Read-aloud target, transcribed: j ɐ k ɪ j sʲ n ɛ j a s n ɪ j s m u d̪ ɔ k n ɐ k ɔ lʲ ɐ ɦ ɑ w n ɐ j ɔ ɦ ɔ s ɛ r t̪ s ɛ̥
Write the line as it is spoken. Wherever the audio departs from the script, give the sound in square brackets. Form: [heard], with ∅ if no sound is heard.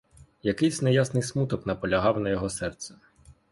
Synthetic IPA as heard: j ɐ k ɪ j sʲ n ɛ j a s n ɪ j s m u [t̪] ɔ k n ɐ [p] ɔ lʲ ɐ ɦ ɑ w n ɐ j ɔ ɦ ɔ s ɛ r t̪ s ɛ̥